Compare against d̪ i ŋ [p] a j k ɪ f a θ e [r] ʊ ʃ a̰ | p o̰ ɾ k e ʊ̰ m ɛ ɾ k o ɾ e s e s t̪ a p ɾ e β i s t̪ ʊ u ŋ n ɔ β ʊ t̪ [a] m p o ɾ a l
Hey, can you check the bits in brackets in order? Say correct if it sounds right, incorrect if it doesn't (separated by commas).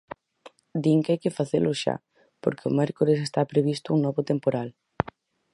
incorrect, incorrect, incorrect